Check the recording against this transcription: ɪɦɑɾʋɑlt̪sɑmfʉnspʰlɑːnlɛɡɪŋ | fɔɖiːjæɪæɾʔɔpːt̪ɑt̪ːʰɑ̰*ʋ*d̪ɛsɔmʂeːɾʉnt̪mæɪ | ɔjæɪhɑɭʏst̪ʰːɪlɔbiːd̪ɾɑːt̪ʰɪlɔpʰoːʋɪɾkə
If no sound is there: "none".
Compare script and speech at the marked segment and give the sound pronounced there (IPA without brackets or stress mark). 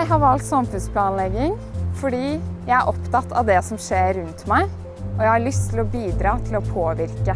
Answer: ʋ